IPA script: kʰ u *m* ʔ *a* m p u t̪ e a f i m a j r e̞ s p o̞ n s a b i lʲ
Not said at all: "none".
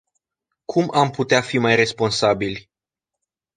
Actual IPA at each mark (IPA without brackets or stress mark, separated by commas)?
m, a